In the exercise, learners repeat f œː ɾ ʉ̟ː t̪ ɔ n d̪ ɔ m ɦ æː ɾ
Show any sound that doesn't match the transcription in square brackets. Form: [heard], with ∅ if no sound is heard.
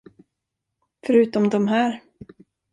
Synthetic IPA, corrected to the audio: f [œ] ɾ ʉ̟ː t̪ ɔ [m] d̪ ɔ m ɦ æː ɾ